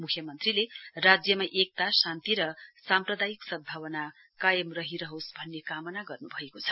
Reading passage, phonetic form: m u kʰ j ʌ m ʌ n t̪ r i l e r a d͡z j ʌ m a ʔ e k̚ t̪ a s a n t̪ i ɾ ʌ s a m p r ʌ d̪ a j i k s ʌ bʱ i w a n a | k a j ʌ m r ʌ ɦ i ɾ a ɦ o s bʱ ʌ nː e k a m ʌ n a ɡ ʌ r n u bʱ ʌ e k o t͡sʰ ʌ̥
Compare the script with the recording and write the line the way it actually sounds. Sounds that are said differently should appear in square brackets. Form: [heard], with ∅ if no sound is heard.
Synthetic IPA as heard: m u kʰ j ʌ m ʌ n t̪ r i l e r a d͡z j ʌ m a ʔ e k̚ t̪ a s a n t̪ i ɾ ʌ s a m p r ʌ d̪ a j i k s ʌ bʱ [a] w [ʌ] n a | k a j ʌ m r ʌ ɦ i ɾ [ʌ] ɦ o s bʱ ʌ nː e k a m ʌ n a ɡ ʌ r n u bʱ ʌ e k o t͡sʰ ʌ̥